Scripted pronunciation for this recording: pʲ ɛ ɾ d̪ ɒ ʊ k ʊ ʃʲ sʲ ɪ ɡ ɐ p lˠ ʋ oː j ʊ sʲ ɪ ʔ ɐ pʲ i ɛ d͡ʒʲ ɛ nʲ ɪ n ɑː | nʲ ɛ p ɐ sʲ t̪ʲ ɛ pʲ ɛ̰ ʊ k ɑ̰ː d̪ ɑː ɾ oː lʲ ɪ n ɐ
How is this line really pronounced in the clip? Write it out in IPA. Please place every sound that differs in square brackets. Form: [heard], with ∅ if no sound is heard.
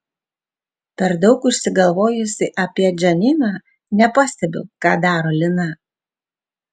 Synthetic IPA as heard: pʲ ɛ ɾ d̪ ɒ ʊ k ʊ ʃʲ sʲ ɪ ɡ ɐ [∅] lˠ ʋ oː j ʊ sʲ ɪ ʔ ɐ pʲ i ɛ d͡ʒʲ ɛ nʲ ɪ n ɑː | nʲ ɛ p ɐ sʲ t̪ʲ ɛ [bʲ] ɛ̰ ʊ k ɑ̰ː d̪ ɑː ɾ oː lʲ ɪ n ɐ